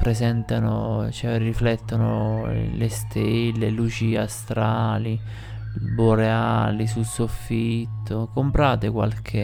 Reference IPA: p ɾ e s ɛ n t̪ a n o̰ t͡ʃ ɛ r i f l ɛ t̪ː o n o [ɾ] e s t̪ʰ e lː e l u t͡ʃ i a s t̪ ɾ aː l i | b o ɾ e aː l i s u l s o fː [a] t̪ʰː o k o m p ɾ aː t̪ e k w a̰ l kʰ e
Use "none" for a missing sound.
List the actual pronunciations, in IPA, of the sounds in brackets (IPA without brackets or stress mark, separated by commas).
l, i